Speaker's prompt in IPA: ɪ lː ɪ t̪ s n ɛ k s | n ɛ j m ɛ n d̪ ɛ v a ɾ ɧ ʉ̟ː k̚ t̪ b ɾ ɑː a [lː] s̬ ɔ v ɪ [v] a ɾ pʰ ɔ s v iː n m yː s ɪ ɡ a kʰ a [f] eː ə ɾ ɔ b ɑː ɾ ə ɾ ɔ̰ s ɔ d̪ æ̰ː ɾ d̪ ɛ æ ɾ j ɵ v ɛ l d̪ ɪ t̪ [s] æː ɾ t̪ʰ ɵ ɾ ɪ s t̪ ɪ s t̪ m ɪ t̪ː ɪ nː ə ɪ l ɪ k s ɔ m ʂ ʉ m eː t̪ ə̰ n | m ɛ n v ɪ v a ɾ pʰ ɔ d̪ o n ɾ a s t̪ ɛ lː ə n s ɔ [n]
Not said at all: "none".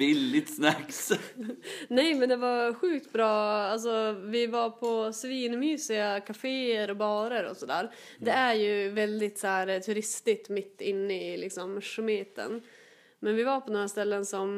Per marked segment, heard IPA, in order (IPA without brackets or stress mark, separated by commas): l, v, f, s, m